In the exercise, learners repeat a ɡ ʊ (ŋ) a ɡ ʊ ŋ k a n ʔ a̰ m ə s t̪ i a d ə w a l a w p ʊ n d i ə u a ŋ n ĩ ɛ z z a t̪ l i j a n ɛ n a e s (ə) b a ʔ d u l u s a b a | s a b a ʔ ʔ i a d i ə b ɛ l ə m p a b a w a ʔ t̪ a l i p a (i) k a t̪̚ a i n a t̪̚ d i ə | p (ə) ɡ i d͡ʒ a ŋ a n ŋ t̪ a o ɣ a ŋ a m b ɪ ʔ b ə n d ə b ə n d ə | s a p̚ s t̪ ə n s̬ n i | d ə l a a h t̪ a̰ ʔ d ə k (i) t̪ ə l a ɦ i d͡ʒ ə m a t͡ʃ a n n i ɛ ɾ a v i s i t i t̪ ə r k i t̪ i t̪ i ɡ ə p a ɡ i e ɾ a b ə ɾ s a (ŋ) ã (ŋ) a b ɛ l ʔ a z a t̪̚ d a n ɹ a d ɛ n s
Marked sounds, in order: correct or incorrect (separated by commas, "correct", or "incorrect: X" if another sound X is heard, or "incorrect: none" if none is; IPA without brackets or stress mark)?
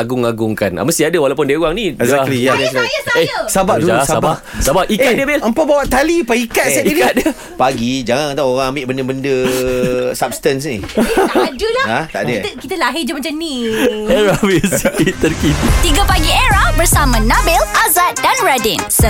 correct, incorrect: a, correct, incorrect: a, correct, incorrect: m, incorrect: n